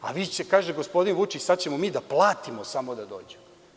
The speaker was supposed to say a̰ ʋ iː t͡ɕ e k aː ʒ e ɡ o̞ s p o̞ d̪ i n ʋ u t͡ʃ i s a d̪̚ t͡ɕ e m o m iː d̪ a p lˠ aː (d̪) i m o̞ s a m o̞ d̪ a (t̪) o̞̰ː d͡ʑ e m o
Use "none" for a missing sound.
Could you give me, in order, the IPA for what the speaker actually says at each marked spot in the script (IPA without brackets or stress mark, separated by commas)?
t̪, d̪